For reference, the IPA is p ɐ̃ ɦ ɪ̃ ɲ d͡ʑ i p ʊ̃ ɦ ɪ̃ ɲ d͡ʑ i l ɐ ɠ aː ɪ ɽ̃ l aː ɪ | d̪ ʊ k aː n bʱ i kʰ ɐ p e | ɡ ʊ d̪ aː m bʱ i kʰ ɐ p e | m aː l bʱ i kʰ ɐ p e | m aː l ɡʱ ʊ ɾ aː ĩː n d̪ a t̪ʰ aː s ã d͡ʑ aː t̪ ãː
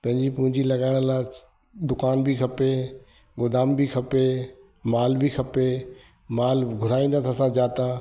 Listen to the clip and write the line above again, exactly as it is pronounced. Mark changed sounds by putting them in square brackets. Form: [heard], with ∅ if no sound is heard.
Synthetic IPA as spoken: p ɐ̃ ɦ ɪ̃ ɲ d͡ʑ i p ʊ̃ ɦ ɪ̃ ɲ d͡ʑ i l ɐ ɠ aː ɪ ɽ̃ l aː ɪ | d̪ ʊ k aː n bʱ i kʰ ɐ p e | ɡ ʊ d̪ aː m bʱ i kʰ ɐ p e | m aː l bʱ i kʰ ɐ p e | m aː l ɡʱ ʊ ɾ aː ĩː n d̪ a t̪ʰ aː s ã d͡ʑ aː t̪ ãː